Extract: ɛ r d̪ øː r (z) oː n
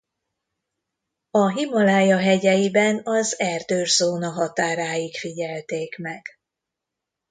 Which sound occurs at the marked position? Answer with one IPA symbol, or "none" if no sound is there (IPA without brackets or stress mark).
z